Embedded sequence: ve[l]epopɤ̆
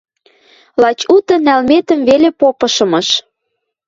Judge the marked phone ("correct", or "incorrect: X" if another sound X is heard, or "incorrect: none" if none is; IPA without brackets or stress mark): correct